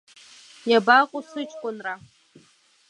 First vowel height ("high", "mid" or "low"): low